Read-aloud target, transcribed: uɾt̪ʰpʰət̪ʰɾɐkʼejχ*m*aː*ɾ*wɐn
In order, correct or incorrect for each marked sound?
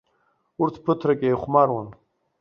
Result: correct, correct

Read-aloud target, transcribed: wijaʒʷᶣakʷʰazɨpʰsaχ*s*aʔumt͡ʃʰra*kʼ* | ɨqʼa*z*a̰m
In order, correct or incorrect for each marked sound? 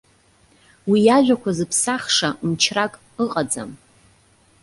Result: incorrect: ʂ, correct, incorrect: d͡z

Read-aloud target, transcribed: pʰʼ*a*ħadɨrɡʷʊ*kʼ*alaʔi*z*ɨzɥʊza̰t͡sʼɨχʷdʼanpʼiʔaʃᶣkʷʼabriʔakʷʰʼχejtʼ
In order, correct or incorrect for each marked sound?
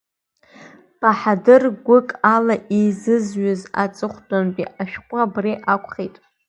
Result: correct, correct, correct

